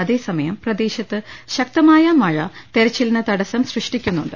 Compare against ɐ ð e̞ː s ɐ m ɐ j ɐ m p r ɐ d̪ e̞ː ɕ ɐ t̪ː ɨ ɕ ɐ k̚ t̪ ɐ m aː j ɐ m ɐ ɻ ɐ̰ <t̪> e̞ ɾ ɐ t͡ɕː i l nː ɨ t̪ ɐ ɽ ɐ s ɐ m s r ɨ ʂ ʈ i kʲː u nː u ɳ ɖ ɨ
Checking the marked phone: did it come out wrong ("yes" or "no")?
no